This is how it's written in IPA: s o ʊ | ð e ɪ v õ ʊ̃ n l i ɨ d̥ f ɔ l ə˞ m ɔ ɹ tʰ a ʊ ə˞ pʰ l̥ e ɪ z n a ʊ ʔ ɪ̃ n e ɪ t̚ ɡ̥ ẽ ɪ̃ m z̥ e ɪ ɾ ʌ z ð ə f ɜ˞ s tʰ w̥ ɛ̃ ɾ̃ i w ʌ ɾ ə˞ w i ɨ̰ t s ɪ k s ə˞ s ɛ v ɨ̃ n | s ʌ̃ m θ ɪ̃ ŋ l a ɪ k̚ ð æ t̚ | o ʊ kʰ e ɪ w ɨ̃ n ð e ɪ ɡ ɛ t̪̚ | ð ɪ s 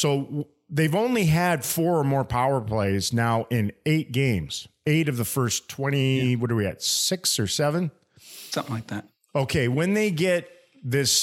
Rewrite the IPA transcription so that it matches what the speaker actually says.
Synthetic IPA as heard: s o ʊ | ð e ɪ v õ ʊ̃ n l i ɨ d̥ f ɔ ɹ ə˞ m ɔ ɹ pʰ a ʊ ə˞ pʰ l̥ e ɪ z n a ʊ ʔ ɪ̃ n e ɪ t̚ ɡ̥ ẽ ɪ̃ m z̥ e ɪ ɾ ʌ v ð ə f ɜ˞ s tʰ w̥ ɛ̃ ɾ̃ i w ʌ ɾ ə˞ w i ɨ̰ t s ɪ k s ə˞ s ɛ v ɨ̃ n | s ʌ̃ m θ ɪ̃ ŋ l a ɪ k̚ ð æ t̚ | o ʊ kʰ e ɪ w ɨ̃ n ð e ɪ ɡ ɛ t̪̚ | ð ɪ s